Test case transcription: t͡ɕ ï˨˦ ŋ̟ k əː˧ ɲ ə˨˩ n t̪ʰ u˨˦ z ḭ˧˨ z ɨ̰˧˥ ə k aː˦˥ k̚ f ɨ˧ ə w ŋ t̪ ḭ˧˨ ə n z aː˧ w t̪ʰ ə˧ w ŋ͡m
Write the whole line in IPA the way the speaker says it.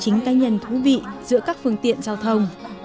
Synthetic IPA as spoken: t͡ɕ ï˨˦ ŋ̟ k aː˧ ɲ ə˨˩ n t̪ʰ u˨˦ v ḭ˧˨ z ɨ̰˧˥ ə k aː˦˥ k̚ f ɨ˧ ə ŋ t̪ ḭ˧˨ ə n z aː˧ w t̪ʰ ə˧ w ŋ͡m